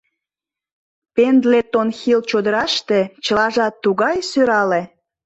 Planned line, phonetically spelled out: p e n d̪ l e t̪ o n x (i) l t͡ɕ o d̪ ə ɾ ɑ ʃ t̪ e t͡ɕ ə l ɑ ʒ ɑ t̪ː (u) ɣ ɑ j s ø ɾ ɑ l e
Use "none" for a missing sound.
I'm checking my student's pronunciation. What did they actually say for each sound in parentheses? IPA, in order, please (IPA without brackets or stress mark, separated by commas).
i, u